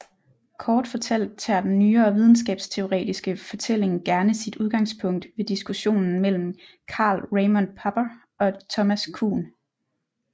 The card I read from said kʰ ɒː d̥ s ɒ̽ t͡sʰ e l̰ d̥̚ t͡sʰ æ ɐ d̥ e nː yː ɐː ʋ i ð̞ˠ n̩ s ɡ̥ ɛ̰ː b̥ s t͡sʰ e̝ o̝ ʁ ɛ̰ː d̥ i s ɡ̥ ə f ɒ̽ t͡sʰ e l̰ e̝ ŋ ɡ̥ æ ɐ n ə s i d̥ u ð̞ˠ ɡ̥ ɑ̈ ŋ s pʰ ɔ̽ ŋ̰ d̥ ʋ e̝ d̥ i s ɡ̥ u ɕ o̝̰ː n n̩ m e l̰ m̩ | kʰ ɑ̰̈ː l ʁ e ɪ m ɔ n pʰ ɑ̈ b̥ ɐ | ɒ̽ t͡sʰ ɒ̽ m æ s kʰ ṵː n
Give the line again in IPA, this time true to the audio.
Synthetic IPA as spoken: kʰ ɒː d̥ f ɒ̽ t͡sʰ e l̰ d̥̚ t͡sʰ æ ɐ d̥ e nː yː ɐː ʋ i ð̞ˠ n̩ s ɡ̥ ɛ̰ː b̥ s t͡sʰ e̝ o̝ ʁ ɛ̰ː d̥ i s ɡ̥ ə f ɒ̽ t͡sʰ e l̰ e̝ ŋ ɡ̥ æ ɐ n ə s i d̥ u ð̞ˠ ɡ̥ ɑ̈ ŋ s pʰ ɔ̽ ŋ̰ d̥ ʋ e̝ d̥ i s ɡ̥ u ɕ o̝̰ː n n̩ m e l̰ m̩ | kʰ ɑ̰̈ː l ʁ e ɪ m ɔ n pʰ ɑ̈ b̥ ɐ | ɒ̽ t͡sʰ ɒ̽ m æ s kʰ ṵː n